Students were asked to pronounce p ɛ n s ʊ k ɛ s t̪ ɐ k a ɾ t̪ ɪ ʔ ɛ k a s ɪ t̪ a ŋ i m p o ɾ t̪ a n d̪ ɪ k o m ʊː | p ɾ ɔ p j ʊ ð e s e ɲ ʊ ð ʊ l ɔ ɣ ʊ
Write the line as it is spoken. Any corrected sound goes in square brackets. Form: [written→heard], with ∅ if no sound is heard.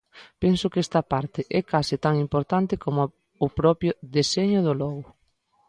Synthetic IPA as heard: p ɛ n s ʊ k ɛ s t̪ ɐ [k→p] a ɾ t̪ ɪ ʔ ɛ k a s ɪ t̪ a ŋ i m p o ɾ t̪ a n [d̪→t̪] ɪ k o m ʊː | p ɾ ɔ p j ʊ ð e s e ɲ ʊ ð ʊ l ɔ ɣ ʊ

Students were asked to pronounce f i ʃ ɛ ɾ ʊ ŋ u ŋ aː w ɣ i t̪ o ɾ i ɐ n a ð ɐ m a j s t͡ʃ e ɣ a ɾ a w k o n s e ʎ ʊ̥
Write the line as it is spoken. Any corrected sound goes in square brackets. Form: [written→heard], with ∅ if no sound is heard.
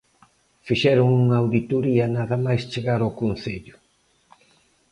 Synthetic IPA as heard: f i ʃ ɛ ɾ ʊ ŋ u ŋ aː w [ɣ→ð] i t̪ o ɾ i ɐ n a ð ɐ m a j s t͡ʃ e ɣ a ɾ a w k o n [s→θ] e ʎ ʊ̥

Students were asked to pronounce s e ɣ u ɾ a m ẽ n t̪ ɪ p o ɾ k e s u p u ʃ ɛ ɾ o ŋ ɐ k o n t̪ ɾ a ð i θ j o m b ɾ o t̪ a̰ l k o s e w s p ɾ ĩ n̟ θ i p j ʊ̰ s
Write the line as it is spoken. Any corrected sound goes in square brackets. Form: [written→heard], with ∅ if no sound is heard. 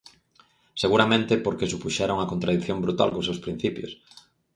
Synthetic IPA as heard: s e ɣ u ɾ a m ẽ n t̪ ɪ p o ɾ k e s u p u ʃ ɛ ɾ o ŋ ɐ k o n t̪ ɾ a ð i θ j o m b ɾ [o→u] t̪ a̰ l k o s e w s p ɾ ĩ n̟ θ i p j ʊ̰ s

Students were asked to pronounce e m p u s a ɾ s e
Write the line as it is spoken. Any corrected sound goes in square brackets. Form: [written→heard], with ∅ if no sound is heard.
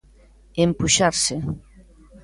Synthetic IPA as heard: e m p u [s→ʃ] a ɾ s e

